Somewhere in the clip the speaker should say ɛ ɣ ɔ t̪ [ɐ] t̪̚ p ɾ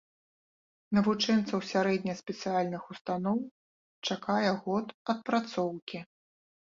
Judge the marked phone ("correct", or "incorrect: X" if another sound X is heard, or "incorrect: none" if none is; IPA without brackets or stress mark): correct